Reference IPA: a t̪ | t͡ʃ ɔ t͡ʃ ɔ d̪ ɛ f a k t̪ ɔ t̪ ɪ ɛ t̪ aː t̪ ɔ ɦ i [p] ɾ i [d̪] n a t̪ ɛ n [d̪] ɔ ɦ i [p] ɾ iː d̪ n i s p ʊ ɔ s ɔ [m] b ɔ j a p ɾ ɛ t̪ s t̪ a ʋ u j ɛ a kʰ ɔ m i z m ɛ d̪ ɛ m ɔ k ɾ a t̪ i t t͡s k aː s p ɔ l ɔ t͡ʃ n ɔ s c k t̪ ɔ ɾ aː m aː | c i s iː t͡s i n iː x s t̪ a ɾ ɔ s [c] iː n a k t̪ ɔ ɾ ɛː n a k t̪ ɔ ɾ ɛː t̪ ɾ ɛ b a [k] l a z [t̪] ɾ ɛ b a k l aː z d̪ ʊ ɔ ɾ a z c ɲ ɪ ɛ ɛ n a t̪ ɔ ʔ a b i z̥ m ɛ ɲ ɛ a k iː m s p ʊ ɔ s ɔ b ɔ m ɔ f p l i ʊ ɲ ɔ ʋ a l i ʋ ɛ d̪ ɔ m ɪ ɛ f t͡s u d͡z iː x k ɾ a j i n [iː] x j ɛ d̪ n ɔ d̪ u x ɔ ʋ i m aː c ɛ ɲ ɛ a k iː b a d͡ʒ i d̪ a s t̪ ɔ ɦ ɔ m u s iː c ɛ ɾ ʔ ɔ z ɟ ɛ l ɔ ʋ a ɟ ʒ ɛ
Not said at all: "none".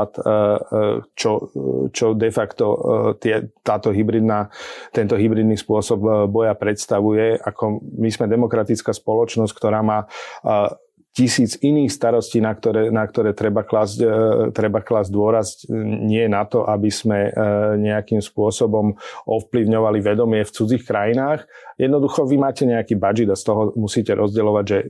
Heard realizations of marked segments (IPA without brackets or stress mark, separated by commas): b, d̪, t̪, b, b, c, k, t̪, aː